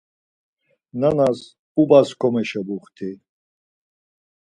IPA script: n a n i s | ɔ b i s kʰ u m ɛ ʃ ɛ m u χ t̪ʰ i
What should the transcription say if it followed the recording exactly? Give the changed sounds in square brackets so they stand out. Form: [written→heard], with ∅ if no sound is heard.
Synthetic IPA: n a n [i→a] s | [ɔ→u] b [i→a] s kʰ [u→ɔ] m ɛ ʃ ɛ [m→b] u χ t̪ʰ i